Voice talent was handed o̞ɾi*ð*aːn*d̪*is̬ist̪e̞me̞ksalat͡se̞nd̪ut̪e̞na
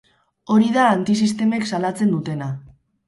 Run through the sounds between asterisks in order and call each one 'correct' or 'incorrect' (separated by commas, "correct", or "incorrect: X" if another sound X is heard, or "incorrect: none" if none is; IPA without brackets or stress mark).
correct, incorrect: t̪